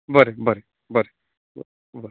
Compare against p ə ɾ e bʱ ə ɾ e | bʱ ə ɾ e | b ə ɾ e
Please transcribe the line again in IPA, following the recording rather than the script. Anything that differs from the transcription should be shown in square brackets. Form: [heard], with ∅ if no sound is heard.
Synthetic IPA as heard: [b] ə ɾ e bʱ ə ɾ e | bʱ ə ɾ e | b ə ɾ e